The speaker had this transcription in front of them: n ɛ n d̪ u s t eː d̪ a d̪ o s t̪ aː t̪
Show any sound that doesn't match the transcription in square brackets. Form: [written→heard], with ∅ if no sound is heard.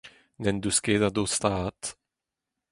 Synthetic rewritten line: n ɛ n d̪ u s [t→k] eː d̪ a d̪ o s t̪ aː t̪